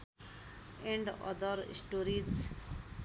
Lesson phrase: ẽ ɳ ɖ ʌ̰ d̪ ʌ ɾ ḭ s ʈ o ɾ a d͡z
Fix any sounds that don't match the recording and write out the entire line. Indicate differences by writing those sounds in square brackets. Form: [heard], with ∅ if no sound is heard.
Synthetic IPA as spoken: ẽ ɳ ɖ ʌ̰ d̪ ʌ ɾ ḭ s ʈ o ɾ [i] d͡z